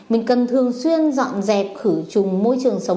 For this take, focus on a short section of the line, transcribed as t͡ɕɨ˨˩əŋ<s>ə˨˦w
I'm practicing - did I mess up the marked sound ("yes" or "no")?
no